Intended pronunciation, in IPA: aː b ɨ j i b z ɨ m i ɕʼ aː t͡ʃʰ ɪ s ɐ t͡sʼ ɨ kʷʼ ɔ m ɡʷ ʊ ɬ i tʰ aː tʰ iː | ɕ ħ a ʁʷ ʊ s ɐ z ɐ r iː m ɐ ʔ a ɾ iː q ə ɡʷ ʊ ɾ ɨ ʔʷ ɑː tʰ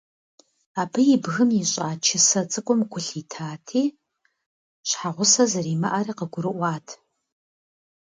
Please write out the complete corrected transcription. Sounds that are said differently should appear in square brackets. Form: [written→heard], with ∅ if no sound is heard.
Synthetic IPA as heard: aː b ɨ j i b [z→ɣ] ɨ m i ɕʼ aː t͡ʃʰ ɪ s ɐ t͡sʼ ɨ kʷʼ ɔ m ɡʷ ʊ ɬ i tʰ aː tʰ iː | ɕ ħ a ʁʷ ʊ s ɐ z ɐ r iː m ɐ ʔ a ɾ iː q ə ɡʷ ʊ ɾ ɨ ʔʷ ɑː tʰ

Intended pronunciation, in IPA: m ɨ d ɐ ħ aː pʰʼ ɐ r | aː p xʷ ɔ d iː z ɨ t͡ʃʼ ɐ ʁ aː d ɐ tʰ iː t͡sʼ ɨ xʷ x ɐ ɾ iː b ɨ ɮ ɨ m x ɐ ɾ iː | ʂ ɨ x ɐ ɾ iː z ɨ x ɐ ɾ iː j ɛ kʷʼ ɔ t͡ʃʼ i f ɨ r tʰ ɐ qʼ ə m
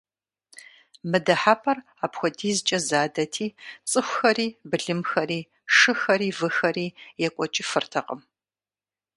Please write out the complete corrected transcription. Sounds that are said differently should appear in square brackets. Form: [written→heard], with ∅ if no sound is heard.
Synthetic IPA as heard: m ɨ d ɐ ħ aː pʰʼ ɐ r | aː p xʷ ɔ d iː z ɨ t͡ʃʼ ɐ [ʁ→z] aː d ɐ tʰ iː t͡sʼ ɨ xʷ x ɐ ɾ iː b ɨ ɮ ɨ m x ɐ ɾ iː | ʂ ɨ x ɐ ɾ iː [z→v] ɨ x ɐ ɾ iː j ɛ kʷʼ ɔ t͡ʃʼ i f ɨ r tʰ ɐ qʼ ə m

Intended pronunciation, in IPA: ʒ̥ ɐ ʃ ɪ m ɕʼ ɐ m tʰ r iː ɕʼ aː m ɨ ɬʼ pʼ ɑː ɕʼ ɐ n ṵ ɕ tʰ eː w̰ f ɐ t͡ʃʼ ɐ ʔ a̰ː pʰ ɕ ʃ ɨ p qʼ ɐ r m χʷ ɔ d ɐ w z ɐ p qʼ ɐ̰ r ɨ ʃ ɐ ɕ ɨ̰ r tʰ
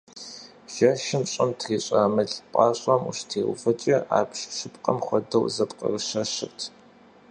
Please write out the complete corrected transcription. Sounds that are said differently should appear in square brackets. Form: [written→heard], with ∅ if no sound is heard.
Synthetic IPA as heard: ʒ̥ ɐ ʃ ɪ m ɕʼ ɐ m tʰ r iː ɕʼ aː m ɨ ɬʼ pʼ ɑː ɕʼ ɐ [n→m] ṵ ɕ tʰ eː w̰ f ɐ t͡ʃʼ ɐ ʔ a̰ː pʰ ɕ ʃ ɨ p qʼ ɐ [r→∅] m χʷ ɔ d ɐ w z ɐ p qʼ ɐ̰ r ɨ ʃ ɐ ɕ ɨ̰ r tʰ

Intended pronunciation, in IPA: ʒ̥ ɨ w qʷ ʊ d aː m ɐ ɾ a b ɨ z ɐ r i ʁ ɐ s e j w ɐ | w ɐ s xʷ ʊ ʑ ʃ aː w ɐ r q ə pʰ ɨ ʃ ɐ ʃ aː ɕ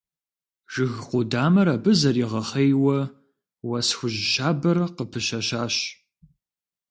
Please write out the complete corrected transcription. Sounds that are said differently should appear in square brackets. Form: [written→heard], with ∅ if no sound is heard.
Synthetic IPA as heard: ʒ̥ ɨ [w→ɣ] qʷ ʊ d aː m ɐ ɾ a b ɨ z ɐ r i ʁ ɐ [s→χ] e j w ɐ | w ɐ s xʷ ʊ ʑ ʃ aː [w→b] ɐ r q ə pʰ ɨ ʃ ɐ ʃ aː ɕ

